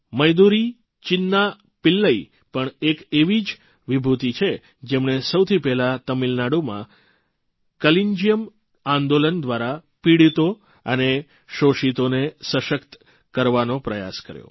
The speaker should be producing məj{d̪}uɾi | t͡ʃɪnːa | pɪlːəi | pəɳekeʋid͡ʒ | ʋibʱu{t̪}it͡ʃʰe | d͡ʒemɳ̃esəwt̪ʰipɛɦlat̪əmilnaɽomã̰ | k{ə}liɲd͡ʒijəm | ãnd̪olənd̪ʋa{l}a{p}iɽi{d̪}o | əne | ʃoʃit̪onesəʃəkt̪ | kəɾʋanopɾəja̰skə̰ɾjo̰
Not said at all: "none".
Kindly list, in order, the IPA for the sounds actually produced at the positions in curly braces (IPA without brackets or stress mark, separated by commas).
d̪, t̪, ə, ɾ, p, t̪